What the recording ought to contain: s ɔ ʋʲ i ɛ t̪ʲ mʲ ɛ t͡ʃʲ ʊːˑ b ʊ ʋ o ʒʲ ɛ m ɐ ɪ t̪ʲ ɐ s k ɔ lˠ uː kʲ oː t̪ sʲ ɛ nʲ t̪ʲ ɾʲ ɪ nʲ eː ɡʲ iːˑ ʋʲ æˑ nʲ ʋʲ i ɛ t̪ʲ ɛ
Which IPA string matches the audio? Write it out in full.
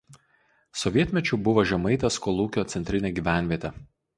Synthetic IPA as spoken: s ɔ ʋʲ i ɛ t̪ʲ mʲ ɛ t͡ʃʲ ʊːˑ b ʊ ʋ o ʒʲ ɛ m ɐ ɪ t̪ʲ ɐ s k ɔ lˠ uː kʲ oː t̪ sʲ ɛ nʲ t̪ʲ ɾʲ ɪ nʲ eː ɡʲ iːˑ ʋʲ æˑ nʲ ʋʲ i ɛ t̪ʲ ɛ